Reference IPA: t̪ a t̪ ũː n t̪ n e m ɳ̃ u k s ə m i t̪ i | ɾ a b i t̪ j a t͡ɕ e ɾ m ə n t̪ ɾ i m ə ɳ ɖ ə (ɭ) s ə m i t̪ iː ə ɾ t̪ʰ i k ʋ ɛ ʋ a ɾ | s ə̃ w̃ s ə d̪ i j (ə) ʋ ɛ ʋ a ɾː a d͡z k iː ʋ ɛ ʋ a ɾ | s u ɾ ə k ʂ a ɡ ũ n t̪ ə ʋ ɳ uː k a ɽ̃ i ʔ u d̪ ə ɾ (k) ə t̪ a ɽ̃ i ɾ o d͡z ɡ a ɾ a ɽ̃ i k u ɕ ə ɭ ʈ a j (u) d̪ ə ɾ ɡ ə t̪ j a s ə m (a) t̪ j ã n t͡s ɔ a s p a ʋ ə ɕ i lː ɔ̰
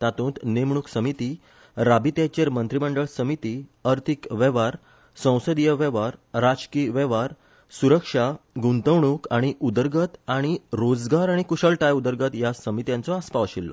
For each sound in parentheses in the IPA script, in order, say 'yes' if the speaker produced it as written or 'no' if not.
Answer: yes, yes, no, yes, no

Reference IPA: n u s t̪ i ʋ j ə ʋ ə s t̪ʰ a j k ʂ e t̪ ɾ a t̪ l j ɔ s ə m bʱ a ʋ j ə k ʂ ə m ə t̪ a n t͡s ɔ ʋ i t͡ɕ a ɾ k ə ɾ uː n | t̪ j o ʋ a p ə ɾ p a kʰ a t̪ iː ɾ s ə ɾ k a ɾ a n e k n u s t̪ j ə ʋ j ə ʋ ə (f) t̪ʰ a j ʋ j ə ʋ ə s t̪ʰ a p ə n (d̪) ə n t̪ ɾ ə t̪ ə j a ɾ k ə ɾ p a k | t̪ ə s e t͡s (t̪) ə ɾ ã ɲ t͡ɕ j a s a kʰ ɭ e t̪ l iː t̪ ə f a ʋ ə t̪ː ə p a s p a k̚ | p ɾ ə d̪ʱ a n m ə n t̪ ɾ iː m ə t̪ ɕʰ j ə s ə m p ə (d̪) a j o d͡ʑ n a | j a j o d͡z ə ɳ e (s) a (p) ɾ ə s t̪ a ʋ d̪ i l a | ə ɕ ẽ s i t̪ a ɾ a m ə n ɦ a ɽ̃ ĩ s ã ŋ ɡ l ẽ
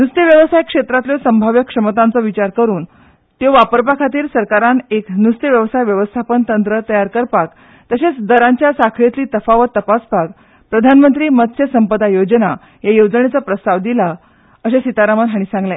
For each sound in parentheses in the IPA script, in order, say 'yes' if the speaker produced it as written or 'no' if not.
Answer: no, no, no, yes, no, yes

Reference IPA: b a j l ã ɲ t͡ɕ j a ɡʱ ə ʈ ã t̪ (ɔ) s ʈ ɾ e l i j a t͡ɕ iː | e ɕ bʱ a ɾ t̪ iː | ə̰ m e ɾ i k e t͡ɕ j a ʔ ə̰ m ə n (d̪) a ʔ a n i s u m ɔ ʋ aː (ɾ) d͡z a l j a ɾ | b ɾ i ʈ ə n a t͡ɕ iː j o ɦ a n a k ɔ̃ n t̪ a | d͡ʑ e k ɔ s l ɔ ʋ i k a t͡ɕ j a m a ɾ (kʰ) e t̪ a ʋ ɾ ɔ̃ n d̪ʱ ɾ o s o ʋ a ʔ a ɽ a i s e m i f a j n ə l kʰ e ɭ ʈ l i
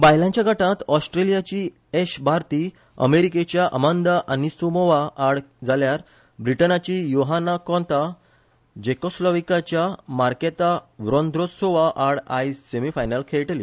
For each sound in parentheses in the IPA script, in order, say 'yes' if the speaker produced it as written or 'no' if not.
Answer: yes, yes, no, no

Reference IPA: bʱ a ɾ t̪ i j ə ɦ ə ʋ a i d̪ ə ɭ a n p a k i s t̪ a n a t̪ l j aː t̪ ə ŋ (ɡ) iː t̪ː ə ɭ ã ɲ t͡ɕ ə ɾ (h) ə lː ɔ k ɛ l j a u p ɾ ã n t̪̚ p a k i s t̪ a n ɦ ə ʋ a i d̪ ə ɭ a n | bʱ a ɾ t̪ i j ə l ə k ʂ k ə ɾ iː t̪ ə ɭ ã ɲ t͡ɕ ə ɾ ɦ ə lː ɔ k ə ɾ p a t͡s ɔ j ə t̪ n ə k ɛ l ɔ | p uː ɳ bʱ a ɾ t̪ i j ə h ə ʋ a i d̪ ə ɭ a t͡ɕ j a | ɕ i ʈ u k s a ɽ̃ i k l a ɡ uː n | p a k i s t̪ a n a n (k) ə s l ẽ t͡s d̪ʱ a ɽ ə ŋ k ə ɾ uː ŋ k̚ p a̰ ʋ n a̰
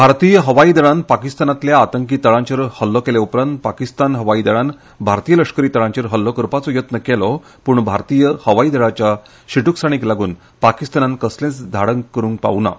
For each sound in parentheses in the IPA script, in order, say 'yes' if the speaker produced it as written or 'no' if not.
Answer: no, yes, yes

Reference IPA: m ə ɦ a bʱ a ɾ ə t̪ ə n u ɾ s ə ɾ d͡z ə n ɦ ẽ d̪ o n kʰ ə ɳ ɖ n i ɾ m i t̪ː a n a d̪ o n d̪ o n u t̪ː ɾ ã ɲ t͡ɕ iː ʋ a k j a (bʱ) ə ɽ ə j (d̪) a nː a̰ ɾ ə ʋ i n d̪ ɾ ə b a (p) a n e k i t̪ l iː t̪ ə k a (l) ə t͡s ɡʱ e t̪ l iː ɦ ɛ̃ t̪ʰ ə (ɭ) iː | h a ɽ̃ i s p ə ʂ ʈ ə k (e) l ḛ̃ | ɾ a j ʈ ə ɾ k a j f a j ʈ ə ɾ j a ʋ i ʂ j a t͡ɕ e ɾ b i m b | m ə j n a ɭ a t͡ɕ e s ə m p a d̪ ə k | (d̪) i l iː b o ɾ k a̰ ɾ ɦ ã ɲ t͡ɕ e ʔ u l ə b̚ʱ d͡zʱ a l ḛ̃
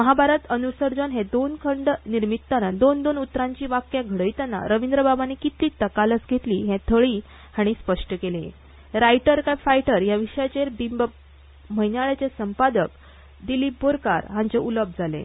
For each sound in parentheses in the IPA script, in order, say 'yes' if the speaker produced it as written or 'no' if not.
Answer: no, no, no, yes, yes, yes, yes

